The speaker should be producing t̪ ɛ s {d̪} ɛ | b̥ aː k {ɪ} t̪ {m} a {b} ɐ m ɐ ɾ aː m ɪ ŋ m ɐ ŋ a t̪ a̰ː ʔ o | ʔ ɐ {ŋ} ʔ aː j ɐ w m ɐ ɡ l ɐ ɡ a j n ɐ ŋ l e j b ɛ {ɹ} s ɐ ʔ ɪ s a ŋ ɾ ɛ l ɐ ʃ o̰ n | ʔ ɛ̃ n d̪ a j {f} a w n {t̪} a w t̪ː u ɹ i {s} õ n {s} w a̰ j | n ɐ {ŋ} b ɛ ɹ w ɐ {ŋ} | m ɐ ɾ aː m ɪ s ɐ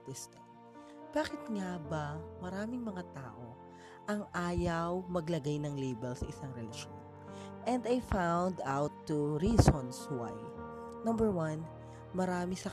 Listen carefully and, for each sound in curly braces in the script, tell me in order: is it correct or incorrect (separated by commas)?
incorrect, correct, incorrect, correct, correct, incorrect, correct, incorrect, correct, correct, incorrect, incorrect